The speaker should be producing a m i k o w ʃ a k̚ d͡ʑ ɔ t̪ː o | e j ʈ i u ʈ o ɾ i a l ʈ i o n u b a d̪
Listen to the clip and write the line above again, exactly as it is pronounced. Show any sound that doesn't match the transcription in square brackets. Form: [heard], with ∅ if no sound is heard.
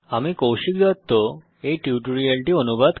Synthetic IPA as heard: a m i k o w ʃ [i] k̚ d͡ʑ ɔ t̪ː o | e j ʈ i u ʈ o ɾ i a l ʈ i o n u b a d̪

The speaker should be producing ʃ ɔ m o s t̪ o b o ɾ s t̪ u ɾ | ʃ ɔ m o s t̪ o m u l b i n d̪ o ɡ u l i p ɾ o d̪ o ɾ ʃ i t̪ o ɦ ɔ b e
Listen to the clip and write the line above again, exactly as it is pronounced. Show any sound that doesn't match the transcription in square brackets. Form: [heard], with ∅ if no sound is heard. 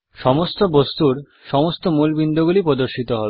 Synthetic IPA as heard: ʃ ɔ m o s t̪ o b o [∅] s t̪ u ɾ | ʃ ɔ m o s t̪ o m u l b i n d̪ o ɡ u l i p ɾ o d̪ o ɾ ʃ i t̪ o ɦ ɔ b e

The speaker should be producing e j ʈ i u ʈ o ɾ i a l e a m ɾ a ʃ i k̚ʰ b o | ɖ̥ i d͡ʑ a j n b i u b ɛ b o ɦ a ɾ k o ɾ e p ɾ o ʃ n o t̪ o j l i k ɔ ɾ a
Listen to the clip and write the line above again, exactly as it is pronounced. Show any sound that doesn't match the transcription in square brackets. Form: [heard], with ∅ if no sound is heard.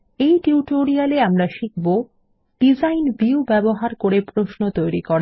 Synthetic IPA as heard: e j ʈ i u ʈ o ɾ i a l e a m ɾ a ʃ i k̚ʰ b o | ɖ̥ i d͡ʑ a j n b i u b ɛ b o ɦ a ɾ k o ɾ e p ɾ o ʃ n o t̪ o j [ɾ] i k ɔ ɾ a

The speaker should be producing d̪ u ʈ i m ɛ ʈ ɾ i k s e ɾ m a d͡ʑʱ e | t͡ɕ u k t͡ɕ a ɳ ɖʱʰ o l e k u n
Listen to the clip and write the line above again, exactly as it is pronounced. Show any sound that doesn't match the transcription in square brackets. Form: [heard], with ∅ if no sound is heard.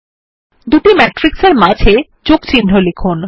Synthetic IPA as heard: d̪ u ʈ i m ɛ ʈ ɾ i k s e ɾ m a d͡ʑʱ e | t͡ɕ [o] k t͡ɕ [i] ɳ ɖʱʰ o l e [kʰ] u n

